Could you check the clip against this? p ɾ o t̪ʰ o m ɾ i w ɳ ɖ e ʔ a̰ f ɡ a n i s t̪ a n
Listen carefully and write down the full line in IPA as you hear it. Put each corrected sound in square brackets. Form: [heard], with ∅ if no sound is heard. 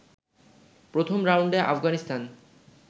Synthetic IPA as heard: p ɾ o t̪ʰ o m ɾ [a] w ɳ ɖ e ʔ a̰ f ɡ a n i s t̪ a n

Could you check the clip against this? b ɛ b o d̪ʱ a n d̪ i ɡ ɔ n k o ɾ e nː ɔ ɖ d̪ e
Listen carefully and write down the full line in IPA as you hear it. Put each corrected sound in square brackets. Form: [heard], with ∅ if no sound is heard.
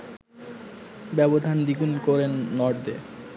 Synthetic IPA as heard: b ɛ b o d̪ʱ a n d̪ i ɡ [u] n k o ɾ e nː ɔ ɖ d̪ e

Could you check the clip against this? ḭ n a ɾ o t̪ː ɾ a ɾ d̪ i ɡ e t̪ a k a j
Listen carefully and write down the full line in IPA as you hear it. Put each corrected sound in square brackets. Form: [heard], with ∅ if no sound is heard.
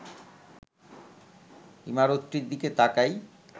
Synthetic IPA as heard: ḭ [m] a ɾ o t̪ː ɾ [i] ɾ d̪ i [k] e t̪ a k a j

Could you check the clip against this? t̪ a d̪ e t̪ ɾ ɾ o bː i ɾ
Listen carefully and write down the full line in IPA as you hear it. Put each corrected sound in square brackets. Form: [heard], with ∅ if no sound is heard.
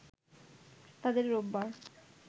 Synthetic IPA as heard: t̪ a d̪ e [∅] ɾ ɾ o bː [a] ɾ

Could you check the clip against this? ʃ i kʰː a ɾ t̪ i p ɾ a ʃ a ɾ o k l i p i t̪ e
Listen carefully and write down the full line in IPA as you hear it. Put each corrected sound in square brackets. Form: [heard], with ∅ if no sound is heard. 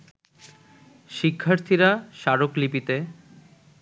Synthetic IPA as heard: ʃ i kʰː a ɾ [t̪ʰ] i [∅] ɾ a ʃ a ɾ o k l i p i t̪ e

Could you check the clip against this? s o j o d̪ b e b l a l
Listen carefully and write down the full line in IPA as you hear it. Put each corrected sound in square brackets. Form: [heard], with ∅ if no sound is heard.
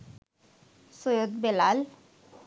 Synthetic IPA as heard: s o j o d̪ b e [∅] l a l

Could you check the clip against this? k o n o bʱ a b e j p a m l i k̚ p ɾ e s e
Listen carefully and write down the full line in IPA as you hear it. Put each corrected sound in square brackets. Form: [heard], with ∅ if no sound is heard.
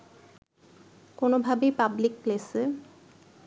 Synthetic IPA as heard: k o n o bʱ a b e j p a [b] l i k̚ p [l] e s e

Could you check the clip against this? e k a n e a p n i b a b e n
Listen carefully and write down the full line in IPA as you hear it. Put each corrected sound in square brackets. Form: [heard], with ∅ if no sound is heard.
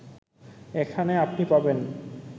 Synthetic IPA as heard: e [kʰ] a n e a p n i [p] a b e n

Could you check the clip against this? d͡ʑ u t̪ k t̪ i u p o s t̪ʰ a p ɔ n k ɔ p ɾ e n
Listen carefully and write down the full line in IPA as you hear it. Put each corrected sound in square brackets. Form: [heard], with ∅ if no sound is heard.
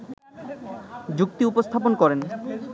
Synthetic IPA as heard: d͡ʑ u [∅] k t̪ i u p o s t̪ʰ a p [o] n k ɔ [∅] ɾ e n

